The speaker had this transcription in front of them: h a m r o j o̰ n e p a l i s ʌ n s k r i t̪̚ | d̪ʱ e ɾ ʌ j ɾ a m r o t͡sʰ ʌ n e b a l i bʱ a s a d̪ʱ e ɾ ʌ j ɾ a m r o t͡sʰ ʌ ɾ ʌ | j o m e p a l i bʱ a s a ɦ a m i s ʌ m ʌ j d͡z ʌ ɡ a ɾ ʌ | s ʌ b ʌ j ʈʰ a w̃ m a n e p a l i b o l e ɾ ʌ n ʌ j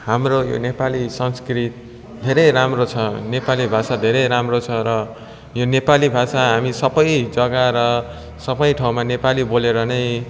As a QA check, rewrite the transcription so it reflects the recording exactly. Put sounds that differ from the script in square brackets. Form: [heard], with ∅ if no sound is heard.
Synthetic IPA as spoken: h a m r o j o̰ n e p a l i s ʌ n s k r i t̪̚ | d̪ʱ e ɾ ʌ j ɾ a m r o t͡sʰ ʌ n e [p] a l i bʱ a s a d̪ʱ e ɾ ʌ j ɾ a m r o t͡sʰ ʌ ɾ ʌ | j o [n] e p a l i bʱ a s a ɦ a m i s ʌ [b] ʌ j d͡z ʌ ɡ a ɾ ʌ | s ʌ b ʌ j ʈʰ a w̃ m a n e p a l i b o l e ɾ ʌ n ʌ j

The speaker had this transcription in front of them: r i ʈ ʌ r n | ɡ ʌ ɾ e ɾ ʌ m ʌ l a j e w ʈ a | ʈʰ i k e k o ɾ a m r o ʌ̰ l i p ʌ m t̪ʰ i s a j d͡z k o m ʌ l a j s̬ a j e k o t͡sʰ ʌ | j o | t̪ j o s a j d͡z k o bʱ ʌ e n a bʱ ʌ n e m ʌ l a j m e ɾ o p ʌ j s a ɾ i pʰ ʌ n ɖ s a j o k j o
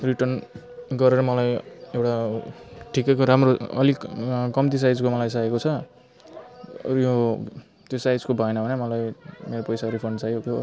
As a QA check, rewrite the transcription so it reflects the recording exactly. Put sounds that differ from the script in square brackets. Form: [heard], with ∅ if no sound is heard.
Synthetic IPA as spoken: r i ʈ ʌ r n | ɡ ʌ ɾ e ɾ ʌ m ʌ l a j e w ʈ a | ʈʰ i k e k o ɾ a m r o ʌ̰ l i [k] ʌ m [t̪] i s a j d͡z k o m ʌ l a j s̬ a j e k o t͡sʰ ʌ | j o | t̪ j o s a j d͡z k o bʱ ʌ e n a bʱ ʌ n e m ʌ l a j m e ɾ o p ʌ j s a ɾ i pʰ ʌ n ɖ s a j o k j o

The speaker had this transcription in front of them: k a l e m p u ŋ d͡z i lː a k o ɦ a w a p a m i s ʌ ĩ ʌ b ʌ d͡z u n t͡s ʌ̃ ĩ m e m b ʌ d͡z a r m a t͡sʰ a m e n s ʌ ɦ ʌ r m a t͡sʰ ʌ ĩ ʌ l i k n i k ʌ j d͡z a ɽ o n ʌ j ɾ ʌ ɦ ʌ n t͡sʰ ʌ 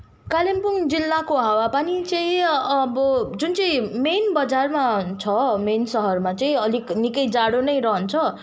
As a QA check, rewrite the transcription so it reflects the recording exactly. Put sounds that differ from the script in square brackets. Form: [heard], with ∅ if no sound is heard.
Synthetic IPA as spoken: k a l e m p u ŋ d͡z i lː a k o ɦ a w a p a [n] i [t͡s] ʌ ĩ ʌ b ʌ d͡z u n t͡s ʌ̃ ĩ m e [n] b ʌ d͡z a r m a t͡sʰ [ʌ] m e n s ʌ ɦ ʌ r m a [t͡s] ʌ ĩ ʌ l i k n i k ʌ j d͡z a ɽ o n ʌ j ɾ ʌ ɦ ʌ n t͡sʰ ʌ

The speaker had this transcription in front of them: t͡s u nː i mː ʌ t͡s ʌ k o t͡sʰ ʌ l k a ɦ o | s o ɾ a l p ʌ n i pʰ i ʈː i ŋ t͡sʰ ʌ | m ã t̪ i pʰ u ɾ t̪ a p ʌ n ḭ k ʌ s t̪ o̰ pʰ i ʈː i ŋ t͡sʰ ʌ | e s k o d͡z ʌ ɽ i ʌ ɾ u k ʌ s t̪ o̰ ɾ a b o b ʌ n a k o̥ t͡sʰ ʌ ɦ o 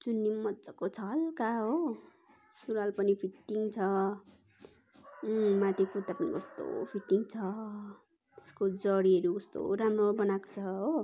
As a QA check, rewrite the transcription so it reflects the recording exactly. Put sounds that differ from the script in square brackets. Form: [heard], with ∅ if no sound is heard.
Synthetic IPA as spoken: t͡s u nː i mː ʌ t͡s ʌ k o t͡sʰ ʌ l k a ɦ o | s [u] ɾ a l p ʌ n i pʰ i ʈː i ŋ t͡sʰ ʌ | m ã t̪ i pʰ u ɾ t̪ a p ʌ n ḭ k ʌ s t̪ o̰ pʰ i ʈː i ŋ t͡sʰ ʌ | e s k o d͡z ʌ ɽ i ʌ ɾ u k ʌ s t̪ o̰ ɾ a [m] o b ʌ n a k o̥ t͡sʰ ʌ ɦ o

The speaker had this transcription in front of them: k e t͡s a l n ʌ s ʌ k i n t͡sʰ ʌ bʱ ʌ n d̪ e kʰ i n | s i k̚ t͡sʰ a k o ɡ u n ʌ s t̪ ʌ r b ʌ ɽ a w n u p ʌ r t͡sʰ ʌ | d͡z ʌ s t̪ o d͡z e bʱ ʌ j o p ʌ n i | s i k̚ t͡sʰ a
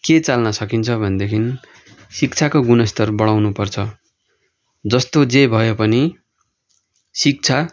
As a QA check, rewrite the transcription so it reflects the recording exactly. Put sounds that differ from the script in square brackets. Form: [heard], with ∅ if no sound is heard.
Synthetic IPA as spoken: k e t͡s a l n ʌ s ʌ k i n t͡sʰ ʌ bʱ ʌ n d̪ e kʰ i n | s i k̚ t͡sʰ a k o ɡ u n ʌ s t̪ ʌ r b ʌ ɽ a w n u p ʌ r t͡sʰ ʌ | d͡z ʌ s t̪ o d͡z e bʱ ʌ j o p ʌ n i | s i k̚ t͡sʰ a

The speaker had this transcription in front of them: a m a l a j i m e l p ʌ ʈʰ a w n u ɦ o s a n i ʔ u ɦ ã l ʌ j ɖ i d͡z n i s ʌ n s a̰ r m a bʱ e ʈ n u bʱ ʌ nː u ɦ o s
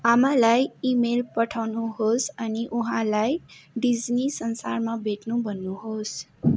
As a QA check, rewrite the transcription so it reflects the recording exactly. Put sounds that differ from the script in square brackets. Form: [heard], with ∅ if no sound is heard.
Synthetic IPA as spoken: a m a l a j i m e l p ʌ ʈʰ a w n u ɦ o s [ʌ] n i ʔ u ɦ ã l [a] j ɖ i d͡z n i s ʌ n s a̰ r m a bʱ e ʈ n u bʱ ʌ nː u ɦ o s

